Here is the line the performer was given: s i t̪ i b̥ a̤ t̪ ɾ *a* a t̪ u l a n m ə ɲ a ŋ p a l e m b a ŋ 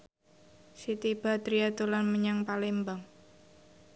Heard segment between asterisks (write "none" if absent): i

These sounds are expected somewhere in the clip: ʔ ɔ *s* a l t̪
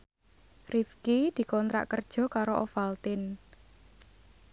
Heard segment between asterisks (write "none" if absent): f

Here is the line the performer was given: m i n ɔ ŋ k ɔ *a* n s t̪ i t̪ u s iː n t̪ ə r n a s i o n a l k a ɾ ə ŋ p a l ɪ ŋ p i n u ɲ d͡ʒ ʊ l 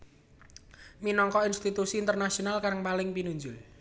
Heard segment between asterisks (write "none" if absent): i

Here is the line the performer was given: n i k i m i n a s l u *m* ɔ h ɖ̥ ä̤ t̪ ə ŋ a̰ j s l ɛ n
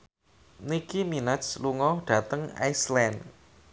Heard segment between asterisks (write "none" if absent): ŋ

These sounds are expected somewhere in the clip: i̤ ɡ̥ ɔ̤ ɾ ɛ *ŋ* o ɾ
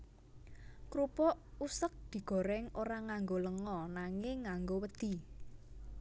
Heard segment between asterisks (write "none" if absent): ŋ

